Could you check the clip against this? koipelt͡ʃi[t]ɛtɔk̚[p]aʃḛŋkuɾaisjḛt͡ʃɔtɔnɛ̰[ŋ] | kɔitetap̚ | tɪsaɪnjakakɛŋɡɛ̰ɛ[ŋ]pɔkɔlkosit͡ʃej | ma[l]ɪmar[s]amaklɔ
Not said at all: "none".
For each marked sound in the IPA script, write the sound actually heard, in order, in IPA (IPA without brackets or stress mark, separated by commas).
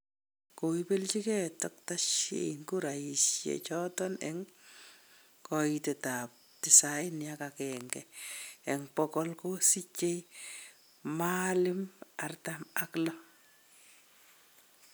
k, t, ŋ, ŋ, l, t